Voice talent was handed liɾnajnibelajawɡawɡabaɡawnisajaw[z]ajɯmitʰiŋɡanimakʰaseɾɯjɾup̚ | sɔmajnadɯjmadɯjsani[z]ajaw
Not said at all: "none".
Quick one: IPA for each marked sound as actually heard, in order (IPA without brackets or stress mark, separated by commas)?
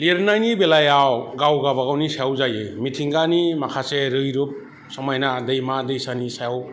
z, s